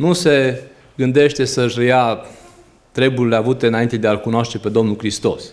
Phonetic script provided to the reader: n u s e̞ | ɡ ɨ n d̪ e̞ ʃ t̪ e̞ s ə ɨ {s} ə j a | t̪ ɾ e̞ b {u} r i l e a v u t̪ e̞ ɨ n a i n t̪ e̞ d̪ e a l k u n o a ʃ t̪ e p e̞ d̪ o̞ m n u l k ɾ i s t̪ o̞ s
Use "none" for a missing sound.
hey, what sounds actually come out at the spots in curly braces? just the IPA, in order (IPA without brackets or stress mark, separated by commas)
ʃ, u